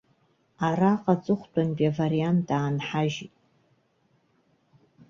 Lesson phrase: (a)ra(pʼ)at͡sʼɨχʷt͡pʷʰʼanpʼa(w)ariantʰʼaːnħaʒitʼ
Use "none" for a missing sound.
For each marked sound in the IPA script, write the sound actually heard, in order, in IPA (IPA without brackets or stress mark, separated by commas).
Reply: a, qʼ, v